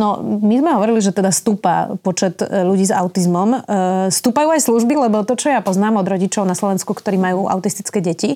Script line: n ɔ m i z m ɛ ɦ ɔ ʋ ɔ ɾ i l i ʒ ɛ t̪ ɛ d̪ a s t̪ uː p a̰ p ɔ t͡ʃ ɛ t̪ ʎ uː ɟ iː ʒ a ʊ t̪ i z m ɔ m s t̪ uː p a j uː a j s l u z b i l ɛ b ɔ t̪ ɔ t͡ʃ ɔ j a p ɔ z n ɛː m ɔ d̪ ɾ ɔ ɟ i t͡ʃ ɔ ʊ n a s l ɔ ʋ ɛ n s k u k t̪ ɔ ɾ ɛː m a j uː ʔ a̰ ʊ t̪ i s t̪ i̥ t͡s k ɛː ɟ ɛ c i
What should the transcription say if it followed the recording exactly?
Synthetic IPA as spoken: n ɔ m i z m ɛ ɦ ɔ ʋ ɔ ɾ i l i ʒ ɛ t̪ ɛ d̪ a s t̪ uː p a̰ p ɔ t͡ʃ ɛ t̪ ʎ u ɟ iː z a ʊ t̪ i z m ɔ m s t̪ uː p a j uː a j s l u ʒ b i l ɛ b ɔ t̪ ɔ t͡ʃ ɔ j a p ɔ z n aː m ɔ d̪ ɾ ɔ ɟ i t͡ʃ ɔ ʊ n a s l ɔ ʋ ɛ n s k u k t̪ ɔ ɾ iː m a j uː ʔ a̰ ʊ t̪ i s t̪ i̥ t͡s k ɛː ɟ ɛ c i